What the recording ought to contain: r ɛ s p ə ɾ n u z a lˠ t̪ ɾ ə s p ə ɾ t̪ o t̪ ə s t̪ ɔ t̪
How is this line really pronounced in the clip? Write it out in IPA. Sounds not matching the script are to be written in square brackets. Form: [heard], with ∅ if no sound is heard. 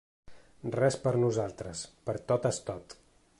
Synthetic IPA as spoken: r ɛ s p ə ɾ n u z a lˠ t̪ ɾ ə s p ə ɾ t̪ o t̪ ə s t̪ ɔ t̪